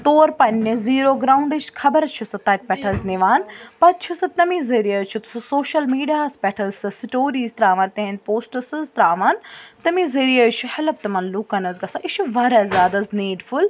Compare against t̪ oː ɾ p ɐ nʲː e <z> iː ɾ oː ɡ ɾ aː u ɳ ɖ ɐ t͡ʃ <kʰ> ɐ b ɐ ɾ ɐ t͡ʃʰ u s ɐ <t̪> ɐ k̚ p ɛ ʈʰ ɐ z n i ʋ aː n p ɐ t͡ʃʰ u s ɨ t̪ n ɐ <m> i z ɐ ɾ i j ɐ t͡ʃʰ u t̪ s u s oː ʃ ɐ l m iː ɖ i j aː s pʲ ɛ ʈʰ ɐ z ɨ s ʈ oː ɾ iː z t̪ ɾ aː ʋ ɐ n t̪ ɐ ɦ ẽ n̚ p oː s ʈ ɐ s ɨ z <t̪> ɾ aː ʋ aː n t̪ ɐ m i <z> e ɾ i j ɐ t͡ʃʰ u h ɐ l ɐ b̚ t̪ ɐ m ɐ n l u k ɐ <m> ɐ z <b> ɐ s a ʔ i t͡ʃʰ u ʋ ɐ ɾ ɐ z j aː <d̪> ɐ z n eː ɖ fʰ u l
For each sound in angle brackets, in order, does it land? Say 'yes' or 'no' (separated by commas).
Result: yes, yes, yes, yes, yes, yes, no, no, yes